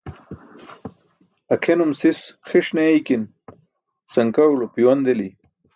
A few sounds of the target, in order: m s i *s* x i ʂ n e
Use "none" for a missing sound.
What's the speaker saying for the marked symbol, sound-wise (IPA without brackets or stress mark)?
s